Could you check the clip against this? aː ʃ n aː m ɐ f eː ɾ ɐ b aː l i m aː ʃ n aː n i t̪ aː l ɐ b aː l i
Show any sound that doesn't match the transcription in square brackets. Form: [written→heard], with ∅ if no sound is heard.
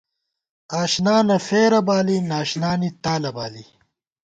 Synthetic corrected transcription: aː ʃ n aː [m→n] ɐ f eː ɾ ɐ b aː l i [m→n] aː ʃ n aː n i t̪ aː l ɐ b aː l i